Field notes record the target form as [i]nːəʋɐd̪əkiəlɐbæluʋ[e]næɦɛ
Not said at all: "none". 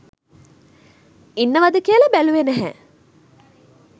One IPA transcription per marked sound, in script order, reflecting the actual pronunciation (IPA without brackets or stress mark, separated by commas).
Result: i, e